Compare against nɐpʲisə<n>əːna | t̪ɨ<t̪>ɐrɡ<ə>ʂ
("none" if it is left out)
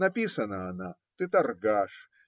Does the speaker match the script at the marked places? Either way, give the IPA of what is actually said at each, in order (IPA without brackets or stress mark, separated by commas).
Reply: n, t̪, a